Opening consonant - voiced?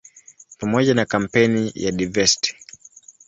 no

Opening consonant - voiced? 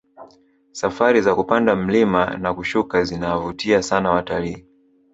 no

